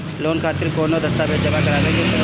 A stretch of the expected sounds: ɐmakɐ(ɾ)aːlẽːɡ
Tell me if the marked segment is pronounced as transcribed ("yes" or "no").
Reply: yes